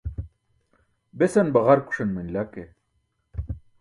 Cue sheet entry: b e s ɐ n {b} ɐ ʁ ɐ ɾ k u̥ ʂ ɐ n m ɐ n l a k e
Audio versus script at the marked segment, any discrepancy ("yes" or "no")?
no